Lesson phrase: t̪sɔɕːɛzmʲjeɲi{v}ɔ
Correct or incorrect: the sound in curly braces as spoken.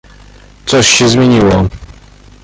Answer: incorrect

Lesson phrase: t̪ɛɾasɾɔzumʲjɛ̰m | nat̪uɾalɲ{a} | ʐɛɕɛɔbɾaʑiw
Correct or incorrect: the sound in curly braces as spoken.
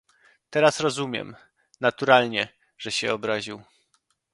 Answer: incorrect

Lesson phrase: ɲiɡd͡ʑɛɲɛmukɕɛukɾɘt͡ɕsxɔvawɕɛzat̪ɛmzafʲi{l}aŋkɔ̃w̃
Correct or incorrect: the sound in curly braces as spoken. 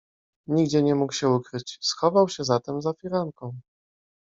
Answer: incorrect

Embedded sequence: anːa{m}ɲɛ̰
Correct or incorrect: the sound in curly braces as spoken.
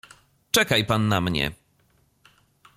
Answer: correct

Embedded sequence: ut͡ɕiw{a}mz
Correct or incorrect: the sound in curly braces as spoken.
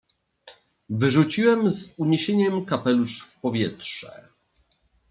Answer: incorrect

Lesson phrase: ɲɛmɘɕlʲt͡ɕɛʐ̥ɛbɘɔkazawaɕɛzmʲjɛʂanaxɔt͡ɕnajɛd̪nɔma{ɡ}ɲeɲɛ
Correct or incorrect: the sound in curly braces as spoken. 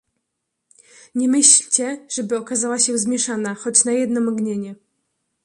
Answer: correct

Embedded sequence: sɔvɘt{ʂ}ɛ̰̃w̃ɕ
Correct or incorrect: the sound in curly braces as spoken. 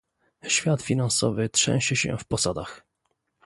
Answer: correct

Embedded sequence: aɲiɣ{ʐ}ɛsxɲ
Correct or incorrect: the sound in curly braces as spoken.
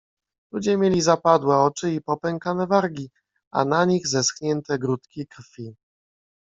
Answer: incorrect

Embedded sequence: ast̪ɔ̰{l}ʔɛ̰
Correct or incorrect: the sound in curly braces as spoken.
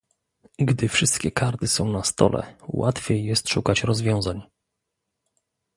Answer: correct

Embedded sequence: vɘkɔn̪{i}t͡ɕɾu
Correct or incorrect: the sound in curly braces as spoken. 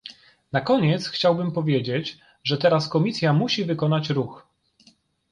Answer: incorrect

